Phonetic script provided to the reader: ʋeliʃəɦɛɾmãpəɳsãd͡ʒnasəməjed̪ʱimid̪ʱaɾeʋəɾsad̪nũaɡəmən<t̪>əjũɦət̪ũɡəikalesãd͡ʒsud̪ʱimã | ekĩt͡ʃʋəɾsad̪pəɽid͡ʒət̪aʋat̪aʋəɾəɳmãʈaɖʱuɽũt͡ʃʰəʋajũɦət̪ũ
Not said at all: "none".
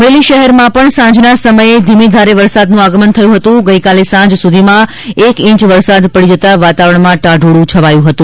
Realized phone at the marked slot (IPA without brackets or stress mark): t̪ʰ